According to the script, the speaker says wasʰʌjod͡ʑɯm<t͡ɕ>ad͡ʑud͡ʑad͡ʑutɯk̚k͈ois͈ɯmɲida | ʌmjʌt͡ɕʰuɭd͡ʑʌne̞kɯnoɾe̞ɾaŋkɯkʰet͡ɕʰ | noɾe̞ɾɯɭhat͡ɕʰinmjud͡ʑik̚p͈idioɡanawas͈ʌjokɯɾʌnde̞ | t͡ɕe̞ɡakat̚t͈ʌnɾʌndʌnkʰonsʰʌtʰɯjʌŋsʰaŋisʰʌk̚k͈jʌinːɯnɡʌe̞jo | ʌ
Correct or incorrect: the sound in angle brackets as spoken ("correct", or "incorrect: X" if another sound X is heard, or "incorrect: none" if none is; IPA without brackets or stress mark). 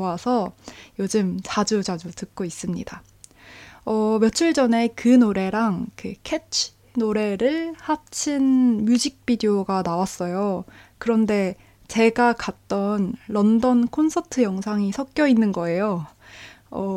correct